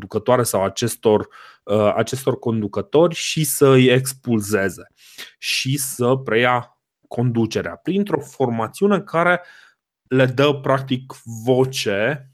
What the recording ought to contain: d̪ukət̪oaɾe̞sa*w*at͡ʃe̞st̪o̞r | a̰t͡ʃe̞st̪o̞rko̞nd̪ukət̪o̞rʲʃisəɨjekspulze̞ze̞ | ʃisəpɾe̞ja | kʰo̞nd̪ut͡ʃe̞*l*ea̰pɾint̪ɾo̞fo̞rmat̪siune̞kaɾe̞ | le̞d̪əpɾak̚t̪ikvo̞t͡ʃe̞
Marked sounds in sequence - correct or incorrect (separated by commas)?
correct, incorrect